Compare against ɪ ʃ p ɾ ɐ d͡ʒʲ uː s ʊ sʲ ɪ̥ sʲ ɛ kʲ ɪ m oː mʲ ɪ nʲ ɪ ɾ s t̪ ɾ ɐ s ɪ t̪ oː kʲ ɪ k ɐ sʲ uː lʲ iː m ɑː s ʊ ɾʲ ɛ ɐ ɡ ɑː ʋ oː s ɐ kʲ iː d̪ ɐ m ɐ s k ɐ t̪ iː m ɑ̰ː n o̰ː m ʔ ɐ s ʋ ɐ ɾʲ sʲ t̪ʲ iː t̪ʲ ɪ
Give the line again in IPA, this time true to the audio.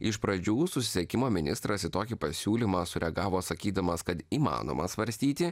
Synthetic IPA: ɪ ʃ p ɾ ɐ d͡ʒʲ uː s ʊ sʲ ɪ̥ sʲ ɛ kʲ ɪ m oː mʲ ɪ nʲ ɪ s t̪ ɾ ɐ s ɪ t̪ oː kʲ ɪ p ɐ sʲ uː lʲ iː m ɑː s ʊ ɾʲ ɛ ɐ ɡ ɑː ʋ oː s ɐ kʲ iː d̪ ɐ m ɐ s k ɐ t̪ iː m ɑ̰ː n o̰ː m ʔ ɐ s ʋ ɐ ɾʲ sʲ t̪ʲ iː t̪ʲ ɪ